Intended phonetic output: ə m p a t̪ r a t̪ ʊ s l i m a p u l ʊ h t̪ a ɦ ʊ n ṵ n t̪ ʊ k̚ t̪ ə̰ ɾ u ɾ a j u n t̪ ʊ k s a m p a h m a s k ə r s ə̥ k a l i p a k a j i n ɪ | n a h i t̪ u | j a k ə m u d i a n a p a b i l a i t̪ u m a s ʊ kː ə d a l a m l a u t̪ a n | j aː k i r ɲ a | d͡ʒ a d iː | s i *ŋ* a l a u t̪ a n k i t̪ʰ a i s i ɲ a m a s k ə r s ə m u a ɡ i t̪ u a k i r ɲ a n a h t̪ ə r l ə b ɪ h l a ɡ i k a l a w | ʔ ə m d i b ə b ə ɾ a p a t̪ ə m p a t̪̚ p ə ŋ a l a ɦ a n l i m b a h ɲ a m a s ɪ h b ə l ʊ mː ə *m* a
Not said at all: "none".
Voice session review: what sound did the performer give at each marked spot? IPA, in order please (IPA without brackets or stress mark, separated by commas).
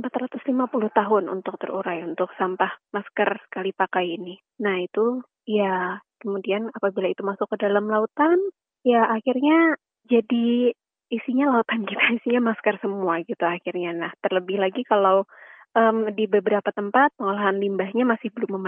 ɲ, m